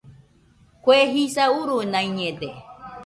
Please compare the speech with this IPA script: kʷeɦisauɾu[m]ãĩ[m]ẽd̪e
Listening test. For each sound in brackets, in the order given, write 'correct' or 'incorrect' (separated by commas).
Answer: incorrect, incorrect